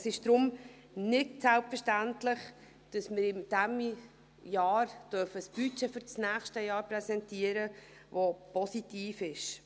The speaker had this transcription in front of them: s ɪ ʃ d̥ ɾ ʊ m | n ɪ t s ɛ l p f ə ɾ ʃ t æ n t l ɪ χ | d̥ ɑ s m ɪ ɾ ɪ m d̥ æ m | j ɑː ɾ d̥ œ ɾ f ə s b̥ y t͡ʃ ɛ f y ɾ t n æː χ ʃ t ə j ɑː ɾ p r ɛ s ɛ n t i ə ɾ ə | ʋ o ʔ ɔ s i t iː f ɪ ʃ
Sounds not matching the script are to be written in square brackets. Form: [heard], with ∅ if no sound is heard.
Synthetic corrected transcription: s ɪ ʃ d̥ ɾ ʊ m | n ɪ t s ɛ l p f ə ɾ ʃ t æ n t l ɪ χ | d̥ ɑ s m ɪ ɾ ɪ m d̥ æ m | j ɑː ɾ d̥ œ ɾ f ə s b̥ y t͡ʃ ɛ f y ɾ [t͡s] n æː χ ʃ t ə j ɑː ɾ p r ɛ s ɛ n t i ə ɾ ə | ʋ o [p] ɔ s i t iː f ɪ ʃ

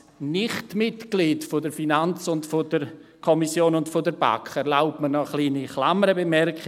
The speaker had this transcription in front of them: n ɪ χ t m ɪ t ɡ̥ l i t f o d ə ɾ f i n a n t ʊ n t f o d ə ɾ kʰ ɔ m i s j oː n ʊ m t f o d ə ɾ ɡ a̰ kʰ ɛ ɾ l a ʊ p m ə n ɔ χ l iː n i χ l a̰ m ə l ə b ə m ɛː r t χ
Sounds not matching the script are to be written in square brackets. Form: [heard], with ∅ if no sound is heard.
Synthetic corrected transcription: n ɪ χ t m ɪ t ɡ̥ l i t f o d ə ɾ f i n a n [t͡s] ʊ n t f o d ə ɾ kʰ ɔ m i s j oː n ʊ [n] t f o d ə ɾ [b] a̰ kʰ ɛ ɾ l a ʊ p m ə n ɔ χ l iː n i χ l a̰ m ə [ɾ] ə b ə m [ɛ] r [k] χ

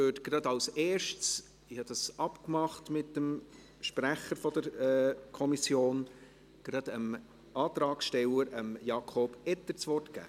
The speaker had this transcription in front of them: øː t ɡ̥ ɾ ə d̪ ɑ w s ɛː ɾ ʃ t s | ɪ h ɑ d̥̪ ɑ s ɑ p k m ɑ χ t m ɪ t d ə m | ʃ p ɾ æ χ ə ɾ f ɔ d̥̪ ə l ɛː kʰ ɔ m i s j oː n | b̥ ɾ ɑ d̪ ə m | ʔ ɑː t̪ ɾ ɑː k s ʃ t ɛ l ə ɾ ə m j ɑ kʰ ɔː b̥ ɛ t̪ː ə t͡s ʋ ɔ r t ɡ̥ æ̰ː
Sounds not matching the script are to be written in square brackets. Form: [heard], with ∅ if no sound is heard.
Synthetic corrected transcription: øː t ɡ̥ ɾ [ɑ] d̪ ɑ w s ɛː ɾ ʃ t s | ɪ h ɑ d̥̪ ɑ s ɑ p k m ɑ χ t m ɪ t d ə m | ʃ p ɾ æ χ ə ɾ f ɔ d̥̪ ə [ɾ] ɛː kʰ ɔ m i s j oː n | [ɡ̥] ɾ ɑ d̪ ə m | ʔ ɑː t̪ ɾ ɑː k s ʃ t ɛ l ə ɾ ə m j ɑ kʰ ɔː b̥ ɛ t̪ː ə t͡s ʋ ɔ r t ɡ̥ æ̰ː

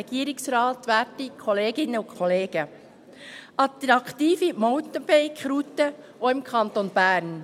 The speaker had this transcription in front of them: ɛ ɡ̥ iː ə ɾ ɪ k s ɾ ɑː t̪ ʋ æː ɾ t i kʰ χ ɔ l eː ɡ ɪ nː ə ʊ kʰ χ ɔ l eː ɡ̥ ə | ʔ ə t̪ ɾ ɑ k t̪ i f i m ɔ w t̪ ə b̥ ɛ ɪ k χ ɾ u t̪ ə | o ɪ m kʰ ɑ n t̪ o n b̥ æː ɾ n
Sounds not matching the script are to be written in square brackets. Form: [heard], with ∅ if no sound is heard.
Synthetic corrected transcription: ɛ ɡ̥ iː ə ɾ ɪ k s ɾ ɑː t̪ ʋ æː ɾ t i kʰ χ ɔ l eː ɡ ɪ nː ə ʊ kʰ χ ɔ l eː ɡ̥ ə | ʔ [ɑ] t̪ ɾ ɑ k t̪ [iː] f i m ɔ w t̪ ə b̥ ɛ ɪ k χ ɾ u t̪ ə | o ɪ m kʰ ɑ n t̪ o n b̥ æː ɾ n

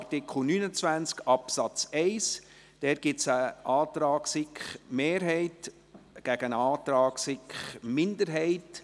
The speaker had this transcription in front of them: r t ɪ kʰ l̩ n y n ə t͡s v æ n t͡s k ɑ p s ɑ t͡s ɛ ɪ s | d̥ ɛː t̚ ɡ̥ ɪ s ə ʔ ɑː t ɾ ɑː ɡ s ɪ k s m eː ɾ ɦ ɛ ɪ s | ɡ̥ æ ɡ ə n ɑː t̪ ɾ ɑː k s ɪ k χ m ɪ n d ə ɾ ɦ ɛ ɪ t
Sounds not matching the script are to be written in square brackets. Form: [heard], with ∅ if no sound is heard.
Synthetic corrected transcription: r t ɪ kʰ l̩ n y n ə t͡s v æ n t͡s k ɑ p s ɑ t͡s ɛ ɪ s | d̥ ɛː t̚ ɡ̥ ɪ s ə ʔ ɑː t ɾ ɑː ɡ s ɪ k [χ] m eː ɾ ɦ ɛ ɪ [t] | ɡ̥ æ ɡ ə n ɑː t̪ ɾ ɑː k s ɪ k χ m ɪ n d ə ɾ ɦ ɛ ɪ t

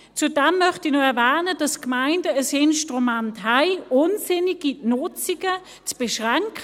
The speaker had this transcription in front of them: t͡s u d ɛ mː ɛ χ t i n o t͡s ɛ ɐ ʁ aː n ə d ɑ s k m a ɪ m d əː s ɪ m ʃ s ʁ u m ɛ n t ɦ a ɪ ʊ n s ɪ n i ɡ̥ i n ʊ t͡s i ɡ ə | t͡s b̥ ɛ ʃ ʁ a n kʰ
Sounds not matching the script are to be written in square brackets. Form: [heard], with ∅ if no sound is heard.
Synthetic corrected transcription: t͡s u d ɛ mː [œ] χ t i n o [∅] ɛ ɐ [v] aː n ə d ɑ s k m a ɪ [n] d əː s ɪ [n] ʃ [t] ʁ u m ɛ n t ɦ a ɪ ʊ n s ɪ n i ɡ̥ i n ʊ t͡s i ɡ ə | t͡s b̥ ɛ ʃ ʁ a [ŋ] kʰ

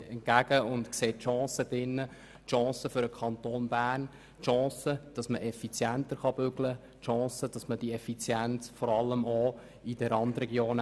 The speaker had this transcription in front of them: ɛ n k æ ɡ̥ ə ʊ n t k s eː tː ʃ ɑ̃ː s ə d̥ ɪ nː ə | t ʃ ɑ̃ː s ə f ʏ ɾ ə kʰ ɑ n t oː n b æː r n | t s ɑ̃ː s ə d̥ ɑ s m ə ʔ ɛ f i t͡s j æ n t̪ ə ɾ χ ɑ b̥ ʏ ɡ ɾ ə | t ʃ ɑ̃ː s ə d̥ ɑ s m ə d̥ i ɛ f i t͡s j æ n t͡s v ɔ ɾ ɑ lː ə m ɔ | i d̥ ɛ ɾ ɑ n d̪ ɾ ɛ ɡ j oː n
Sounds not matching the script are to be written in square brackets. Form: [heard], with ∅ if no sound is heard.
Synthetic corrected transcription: ɛ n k æ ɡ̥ ə ʊ n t k s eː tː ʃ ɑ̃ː s ə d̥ ɪ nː ə | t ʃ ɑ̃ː s ə f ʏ ɾ ə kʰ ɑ n t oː n b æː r n | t [ʃ] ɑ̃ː s ə d̥ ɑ s m ə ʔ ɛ f i t͡s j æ n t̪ ə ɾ χ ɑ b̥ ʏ ɡ [l] ə | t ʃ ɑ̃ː s ə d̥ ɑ s m ə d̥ i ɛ f i t͡s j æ n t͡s [f] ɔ ɾ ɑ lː ə m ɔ | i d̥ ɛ ɾ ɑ n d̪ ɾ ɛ ɡ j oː n

